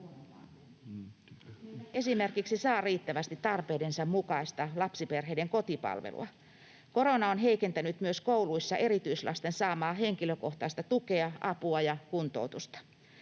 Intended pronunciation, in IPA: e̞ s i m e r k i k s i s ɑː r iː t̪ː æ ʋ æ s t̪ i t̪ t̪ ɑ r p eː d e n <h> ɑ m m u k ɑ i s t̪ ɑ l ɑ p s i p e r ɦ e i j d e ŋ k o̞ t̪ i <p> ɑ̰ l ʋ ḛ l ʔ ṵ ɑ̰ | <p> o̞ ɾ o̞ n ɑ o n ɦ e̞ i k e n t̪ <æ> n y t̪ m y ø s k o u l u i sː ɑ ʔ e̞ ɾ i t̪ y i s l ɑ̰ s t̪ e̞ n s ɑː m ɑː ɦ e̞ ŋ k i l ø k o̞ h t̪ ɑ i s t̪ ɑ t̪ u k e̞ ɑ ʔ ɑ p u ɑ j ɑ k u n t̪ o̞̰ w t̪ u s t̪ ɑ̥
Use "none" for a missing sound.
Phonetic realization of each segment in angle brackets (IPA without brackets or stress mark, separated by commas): s, p, k, æ